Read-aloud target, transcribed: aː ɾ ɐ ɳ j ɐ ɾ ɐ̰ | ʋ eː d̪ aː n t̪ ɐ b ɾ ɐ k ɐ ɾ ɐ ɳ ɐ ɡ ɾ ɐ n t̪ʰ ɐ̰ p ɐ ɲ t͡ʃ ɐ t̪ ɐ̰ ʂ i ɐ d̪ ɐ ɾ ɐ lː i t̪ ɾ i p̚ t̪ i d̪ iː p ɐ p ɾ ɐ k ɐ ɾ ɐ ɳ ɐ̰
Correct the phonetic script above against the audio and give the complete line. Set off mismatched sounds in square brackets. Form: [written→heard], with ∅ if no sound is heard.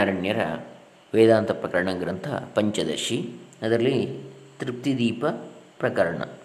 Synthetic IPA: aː ɾ ɐ ɳ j ɐ ɾ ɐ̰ | ʋ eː d̪ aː n t̪ ɐ [b→p] ɾ ɐ k ɐ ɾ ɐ ɳ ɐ ɡ ɾ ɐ n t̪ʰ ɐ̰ p ɐ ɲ t͡ʃ ɐ [t̪→d̪] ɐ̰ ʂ i ɐ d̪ ɐ ɾ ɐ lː i t̪ ɾ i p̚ t̪ i d̪ iː p ɐ p ɾ ɐ k ɐ ɾ ɐ ɳ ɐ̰